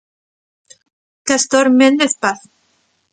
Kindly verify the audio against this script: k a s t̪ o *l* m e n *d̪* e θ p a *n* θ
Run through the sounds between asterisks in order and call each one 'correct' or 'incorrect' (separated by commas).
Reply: incorrect, correct, incorrect